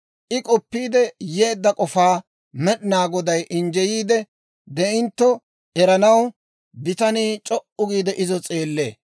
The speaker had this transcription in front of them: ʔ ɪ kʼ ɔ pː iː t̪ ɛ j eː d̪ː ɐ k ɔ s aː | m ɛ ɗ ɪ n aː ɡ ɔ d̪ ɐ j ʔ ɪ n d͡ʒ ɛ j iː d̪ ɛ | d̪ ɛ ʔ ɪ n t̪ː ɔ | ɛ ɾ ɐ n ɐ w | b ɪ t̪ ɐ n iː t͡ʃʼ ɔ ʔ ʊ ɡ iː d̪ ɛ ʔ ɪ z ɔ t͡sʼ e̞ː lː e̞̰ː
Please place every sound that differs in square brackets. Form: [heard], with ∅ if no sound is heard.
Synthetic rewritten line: ʔ ɪ kʼ ɔ pː iː [d̪] ɛ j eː d̪ː ɐ [kʼ] ɔ [f] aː | m ɛ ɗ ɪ n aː ɡ ɔ d̪ ɐ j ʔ ɪ n d͡ʒ ɛ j iː d̪ ɛ | d̪ ɛ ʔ ɪ n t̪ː ɔ | ɛ ɾ ɐ n ɐ w | b ɪ t̪ ɐ n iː t͡ʃʼ ɔ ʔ ʊ ɡ iː d̪ ɛ ʔ ɪ z ɔ t͡sʼ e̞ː lː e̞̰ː